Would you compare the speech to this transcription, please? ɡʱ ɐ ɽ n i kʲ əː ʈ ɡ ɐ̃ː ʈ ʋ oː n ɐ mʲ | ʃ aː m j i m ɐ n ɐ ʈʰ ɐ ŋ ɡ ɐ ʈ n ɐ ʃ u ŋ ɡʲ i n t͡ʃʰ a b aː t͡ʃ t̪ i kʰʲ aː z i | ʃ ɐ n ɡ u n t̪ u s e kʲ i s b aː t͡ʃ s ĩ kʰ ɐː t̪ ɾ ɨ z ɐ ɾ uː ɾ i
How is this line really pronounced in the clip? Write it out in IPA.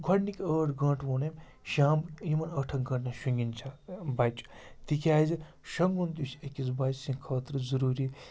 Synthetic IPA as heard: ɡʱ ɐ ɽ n i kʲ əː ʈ ɡ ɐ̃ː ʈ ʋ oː n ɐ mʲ | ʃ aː m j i m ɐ n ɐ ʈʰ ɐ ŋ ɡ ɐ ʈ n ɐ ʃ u ŋ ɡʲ i n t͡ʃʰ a b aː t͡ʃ t̪ i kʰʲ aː z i | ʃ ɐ ŋ ɡ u n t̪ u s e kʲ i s b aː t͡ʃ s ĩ kʰ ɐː t̪ ɾ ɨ z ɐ ɾ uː ɾ i